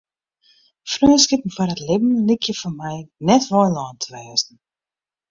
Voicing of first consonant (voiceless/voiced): voiceless